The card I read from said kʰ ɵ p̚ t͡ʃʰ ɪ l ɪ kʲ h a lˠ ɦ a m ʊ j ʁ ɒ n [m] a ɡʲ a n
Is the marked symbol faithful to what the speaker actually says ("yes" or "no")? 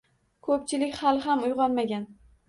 yes